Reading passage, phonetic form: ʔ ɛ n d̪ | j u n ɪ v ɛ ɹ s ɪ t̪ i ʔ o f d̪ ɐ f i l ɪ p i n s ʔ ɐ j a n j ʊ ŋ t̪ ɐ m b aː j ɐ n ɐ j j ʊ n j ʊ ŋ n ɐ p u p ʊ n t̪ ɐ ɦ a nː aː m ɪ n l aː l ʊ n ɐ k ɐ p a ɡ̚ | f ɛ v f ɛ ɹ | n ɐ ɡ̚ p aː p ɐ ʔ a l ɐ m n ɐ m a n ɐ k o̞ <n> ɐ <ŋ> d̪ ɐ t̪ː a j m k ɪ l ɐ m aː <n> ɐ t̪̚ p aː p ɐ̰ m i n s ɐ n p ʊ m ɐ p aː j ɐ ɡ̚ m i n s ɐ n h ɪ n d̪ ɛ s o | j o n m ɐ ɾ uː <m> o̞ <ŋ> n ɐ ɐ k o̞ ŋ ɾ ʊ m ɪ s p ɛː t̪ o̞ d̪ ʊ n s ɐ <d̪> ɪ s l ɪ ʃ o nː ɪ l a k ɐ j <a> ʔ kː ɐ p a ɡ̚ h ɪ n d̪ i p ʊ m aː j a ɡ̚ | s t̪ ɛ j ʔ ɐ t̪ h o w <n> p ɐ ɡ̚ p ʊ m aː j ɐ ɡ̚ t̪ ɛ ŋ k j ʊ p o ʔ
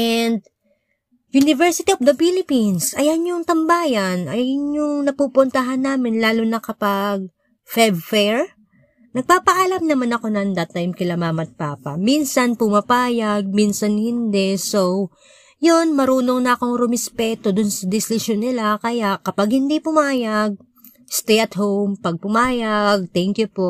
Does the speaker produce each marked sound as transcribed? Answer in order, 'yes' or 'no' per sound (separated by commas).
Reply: yes, no, no, no, yes, yes, yes, no